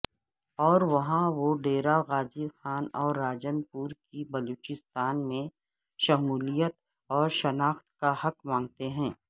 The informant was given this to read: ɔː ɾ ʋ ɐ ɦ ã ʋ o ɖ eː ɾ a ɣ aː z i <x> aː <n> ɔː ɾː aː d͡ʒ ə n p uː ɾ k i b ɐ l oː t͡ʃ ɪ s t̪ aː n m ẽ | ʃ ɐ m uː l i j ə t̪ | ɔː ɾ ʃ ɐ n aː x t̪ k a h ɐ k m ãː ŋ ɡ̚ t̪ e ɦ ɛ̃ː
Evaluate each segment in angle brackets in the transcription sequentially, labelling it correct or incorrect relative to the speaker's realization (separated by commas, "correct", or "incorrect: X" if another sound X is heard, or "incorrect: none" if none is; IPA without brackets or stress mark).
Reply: correct, correct